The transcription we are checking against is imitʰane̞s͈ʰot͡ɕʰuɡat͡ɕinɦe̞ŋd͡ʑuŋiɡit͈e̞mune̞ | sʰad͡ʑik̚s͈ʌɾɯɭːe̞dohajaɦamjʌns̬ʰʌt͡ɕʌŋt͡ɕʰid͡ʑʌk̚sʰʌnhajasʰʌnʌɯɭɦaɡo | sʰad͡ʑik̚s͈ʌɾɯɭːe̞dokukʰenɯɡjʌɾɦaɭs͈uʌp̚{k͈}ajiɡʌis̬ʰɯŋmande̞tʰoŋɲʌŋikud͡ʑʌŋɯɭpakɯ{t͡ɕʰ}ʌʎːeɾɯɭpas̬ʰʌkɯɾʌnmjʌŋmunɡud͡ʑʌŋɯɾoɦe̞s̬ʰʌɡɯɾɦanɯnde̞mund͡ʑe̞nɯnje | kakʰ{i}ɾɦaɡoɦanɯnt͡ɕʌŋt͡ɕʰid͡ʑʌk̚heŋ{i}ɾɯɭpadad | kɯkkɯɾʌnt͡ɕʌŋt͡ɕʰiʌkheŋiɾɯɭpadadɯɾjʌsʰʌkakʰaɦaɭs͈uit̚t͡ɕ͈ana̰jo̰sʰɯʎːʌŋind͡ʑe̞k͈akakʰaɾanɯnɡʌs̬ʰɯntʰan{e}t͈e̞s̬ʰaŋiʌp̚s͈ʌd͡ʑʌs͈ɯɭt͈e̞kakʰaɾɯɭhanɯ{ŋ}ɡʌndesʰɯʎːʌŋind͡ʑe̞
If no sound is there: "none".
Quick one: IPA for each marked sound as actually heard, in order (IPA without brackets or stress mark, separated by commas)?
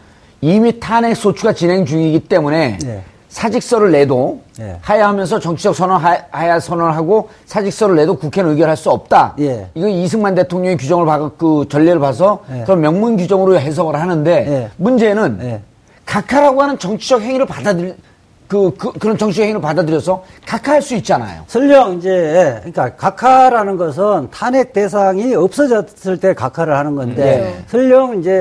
t͈, t͡ɕ, a, i, e, n